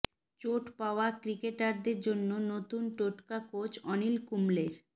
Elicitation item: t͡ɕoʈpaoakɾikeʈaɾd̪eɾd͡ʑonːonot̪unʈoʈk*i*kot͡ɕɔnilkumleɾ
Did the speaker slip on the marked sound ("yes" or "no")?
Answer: yes